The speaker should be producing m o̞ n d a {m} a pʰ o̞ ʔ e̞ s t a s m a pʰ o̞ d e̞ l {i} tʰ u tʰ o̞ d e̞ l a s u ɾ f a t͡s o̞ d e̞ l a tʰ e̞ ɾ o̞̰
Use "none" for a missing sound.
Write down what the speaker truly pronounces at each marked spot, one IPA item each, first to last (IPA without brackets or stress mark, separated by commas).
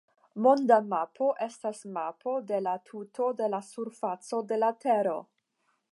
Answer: m, a